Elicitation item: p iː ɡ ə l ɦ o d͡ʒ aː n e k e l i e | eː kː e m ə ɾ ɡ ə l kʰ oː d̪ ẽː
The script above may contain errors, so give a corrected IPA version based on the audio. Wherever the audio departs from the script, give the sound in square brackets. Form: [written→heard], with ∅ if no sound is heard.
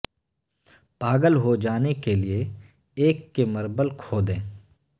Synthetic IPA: p [iː→aː] ɡ ə l ɦ o d͡ʒ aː n e k e l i e | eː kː e m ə ɾ [ɡ→b] ə l kʰ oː d̪ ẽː